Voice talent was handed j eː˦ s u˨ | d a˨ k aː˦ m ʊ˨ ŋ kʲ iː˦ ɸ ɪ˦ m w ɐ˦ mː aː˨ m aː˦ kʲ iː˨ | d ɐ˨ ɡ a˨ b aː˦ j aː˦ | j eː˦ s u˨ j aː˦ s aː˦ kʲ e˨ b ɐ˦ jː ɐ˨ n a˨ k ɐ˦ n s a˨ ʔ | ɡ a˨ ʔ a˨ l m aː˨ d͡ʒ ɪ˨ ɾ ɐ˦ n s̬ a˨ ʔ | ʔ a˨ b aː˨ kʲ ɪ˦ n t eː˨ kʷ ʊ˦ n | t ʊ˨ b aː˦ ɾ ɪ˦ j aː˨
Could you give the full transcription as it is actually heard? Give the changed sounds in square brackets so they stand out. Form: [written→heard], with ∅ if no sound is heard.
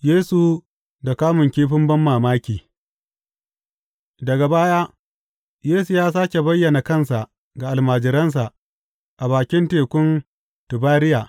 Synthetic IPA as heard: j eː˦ s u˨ | d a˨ k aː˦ m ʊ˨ ŋ kʲ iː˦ ɸ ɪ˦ m [w→b] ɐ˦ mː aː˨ m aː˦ kʲ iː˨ | d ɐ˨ ɡ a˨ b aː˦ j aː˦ | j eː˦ s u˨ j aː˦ s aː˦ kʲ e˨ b ɐ˦ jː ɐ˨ n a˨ k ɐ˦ n s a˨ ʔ | ɡ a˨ ʔ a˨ l m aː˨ d͡ʒ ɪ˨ ɾ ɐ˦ n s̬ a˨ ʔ | ʔ a˨ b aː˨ kʲ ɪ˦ n t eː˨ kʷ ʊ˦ n | t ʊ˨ b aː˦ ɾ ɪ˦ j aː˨